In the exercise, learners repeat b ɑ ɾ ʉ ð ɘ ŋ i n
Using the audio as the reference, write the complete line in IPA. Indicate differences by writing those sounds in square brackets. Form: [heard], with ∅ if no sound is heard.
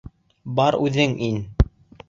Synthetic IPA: b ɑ ɾ ʉ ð ɘ ŋ i n